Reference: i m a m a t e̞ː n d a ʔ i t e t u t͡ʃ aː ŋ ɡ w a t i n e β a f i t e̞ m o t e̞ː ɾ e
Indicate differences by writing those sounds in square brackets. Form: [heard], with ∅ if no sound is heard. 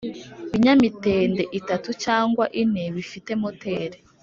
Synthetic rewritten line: i [ɲ] a m [i] t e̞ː n d [e] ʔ i t [a] t u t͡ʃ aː ŋ ɡ w a [ʔ] i n e β [i] f i t e̞ m o t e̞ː ɾ e